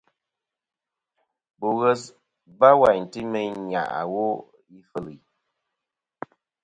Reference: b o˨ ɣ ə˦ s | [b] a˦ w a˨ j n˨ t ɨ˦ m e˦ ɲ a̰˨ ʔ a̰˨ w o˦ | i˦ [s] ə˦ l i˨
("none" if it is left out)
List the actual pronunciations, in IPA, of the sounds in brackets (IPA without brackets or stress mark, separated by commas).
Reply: b, f